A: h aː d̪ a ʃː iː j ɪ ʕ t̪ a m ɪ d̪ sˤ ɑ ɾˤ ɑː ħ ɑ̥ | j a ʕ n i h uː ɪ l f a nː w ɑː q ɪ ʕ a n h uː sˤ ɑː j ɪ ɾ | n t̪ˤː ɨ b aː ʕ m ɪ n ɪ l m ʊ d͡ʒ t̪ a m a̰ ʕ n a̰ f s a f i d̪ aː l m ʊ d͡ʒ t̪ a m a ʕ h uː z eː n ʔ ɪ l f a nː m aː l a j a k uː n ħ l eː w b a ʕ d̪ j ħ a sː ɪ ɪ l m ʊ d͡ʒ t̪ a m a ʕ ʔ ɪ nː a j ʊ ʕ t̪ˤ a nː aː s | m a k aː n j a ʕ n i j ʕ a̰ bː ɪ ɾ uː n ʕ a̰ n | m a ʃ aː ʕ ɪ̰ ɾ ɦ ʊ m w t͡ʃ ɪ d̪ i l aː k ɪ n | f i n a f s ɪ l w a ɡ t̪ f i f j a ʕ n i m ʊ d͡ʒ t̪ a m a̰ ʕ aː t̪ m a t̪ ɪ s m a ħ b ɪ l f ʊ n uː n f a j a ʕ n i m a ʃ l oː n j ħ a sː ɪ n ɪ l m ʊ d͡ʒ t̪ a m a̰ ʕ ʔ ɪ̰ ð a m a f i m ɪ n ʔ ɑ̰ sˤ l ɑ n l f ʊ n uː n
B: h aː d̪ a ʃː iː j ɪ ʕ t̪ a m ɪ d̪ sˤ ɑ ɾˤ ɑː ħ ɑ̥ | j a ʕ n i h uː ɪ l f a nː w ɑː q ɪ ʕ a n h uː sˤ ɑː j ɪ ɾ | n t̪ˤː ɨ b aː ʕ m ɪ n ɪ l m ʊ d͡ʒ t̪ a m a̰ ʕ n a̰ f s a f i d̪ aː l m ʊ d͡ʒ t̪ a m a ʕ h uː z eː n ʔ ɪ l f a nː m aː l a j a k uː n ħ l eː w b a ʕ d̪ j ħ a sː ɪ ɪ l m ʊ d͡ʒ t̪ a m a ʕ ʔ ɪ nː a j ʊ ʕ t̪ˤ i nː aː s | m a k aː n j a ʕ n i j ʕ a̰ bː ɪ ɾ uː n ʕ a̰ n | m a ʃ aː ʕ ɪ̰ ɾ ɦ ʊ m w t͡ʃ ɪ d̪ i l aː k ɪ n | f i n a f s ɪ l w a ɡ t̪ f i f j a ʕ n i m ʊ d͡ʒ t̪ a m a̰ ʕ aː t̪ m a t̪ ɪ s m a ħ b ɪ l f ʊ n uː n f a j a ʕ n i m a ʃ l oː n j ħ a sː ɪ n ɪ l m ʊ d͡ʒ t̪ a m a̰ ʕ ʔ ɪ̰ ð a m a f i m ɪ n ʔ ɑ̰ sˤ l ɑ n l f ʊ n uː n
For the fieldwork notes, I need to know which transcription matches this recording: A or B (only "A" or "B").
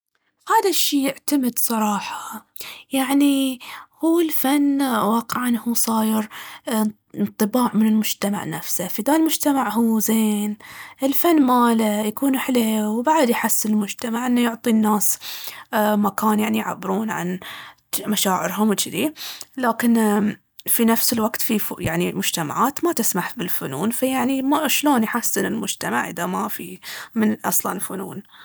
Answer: B